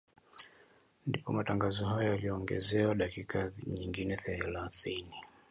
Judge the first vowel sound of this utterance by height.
high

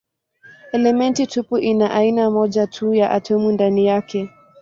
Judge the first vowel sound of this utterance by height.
mid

